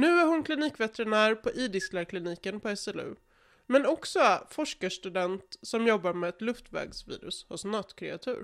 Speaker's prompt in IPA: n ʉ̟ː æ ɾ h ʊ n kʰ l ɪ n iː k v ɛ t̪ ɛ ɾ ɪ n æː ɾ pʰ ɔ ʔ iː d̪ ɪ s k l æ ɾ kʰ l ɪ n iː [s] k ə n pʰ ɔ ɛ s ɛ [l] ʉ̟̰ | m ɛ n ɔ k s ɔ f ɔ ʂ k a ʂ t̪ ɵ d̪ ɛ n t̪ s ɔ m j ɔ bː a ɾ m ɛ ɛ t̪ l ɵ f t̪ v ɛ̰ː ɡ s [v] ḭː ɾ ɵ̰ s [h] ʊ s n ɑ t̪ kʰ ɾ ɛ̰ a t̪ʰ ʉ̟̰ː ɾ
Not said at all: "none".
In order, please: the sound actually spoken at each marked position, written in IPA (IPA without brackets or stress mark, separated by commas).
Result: none, l, v, h